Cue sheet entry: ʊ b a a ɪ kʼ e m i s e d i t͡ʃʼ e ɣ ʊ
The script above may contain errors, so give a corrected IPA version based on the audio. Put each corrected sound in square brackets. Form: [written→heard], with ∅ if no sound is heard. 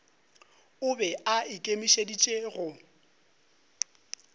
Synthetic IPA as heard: ʊ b [a→ɛ] a ɪ kʼ e m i [s→ʃ] e d i t͡ʃʼ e ɣ ʊ